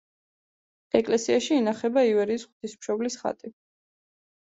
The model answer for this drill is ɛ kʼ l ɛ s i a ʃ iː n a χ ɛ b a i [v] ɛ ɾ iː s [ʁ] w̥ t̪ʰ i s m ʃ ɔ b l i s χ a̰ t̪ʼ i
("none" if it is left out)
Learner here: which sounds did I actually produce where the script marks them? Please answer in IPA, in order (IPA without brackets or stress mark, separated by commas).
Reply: v, χ